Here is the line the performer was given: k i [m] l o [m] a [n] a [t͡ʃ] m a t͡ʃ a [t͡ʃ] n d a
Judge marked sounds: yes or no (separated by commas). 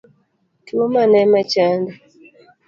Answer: no, yes, yes, no, no